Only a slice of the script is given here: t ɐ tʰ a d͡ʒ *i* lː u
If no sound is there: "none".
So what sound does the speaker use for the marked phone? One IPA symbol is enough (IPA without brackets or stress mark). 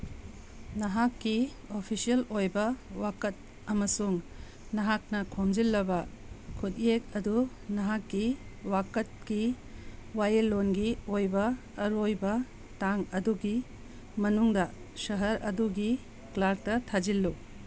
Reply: i